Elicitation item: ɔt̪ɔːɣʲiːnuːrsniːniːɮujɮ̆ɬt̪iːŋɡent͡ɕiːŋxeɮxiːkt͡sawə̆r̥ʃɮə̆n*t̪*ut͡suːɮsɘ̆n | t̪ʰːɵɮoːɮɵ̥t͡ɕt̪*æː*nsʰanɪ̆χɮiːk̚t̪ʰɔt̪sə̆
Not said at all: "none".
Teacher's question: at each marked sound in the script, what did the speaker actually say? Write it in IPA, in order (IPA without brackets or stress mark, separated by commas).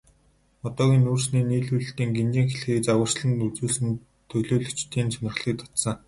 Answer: t̪, iː